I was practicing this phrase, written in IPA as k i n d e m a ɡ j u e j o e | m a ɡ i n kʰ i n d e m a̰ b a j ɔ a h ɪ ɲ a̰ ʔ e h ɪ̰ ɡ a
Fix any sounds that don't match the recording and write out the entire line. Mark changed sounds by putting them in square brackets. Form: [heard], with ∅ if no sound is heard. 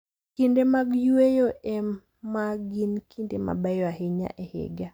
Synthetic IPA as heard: k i n d e m a ɡ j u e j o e | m a ɡ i n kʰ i n d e m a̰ b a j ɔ a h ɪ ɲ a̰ ʔ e h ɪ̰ ɡ a